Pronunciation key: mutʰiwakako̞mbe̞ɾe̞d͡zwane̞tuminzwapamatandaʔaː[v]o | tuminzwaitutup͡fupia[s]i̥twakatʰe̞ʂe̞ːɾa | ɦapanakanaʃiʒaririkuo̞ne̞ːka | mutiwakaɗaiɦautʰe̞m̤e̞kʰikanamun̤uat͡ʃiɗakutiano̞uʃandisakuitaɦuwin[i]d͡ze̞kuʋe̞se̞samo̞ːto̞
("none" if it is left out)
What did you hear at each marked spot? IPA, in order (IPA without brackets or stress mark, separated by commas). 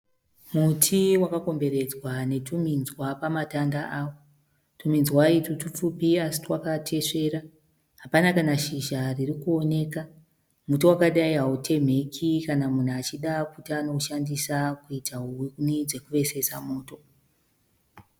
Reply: w, s, i